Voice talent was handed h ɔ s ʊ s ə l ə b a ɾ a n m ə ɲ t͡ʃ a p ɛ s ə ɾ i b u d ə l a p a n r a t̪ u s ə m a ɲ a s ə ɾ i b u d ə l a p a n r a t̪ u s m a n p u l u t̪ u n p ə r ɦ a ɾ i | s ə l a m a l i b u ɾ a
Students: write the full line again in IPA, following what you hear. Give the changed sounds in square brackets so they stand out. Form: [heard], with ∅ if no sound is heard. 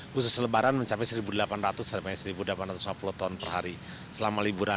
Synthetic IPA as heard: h [u] s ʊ s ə l ə b a ɾ a n m ə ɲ t͡ʃ a p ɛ s ə ɾ i b u d ə l a p a n r a t̪ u s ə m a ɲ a s ə ɾ i b u d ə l a p a n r a t̪ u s m a [∅] p u l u t̪ [ɔ] n p ə r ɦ a ɾ i | s ə l a m a l i b u ɾ a